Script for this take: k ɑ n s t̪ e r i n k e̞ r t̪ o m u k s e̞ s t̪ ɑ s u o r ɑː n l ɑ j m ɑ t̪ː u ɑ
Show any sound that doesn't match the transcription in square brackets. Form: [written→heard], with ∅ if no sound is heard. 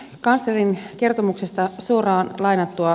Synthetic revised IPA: k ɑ n s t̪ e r i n k e̞ r t̪ o m u k s e̞ s t̪ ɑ s u o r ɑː n l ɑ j [m→n] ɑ t̪ː u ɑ